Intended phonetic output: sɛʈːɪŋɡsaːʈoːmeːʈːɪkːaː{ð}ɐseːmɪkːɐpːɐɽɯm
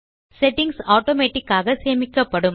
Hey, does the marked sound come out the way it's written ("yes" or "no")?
no